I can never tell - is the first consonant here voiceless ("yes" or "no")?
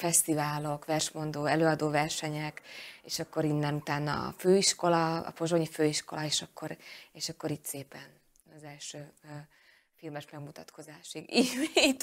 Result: yes